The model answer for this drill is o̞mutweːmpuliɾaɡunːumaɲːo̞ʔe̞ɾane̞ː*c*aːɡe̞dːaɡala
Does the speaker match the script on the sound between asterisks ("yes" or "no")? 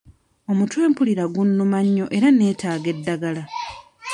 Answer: no